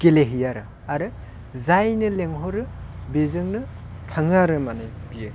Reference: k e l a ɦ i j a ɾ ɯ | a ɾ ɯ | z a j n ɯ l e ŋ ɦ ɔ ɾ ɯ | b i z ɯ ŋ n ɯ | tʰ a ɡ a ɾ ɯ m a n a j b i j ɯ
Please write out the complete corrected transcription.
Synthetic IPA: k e l e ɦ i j a ɾ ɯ | a ɾ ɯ | z a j n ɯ l e ŋ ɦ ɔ ɾ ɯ | b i z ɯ ŋ n ɯ | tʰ a ŋ a ɾ ɯ m a n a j b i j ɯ